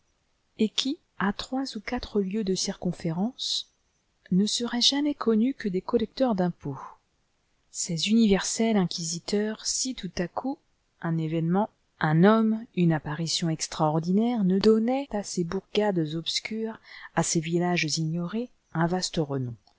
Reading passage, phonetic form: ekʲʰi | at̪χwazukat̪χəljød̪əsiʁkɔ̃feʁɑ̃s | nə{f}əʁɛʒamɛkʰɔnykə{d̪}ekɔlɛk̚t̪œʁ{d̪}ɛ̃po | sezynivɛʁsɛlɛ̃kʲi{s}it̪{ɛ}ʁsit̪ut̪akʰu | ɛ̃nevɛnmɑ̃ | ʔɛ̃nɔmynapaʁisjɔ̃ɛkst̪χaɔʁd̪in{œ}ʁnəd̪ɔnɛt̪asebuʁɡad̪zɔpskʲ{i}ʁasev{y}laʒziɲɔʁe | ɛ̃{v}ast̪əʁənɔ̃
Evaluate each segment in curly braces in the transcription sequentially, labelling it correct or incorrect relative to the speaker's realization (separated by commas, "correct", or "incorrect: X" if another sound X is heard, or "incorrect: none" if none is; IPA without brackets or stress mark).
incorrect: s, correct, correct, incorrect: z, incorrect: œ, incorrect: ɛ, incorrect: y, incorrect: i, correct